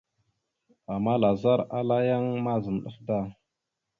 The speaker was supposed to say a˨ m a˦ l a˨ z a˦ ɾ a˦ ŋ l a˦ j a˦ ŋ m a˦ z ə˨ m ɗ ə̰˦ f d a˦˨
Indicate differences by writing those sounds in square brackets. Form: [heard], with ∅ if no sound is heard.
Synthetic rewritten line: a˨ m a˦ l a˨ z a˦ ɾ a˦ [∅] l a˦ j a˦ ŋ m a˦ z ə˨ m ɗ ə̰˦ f d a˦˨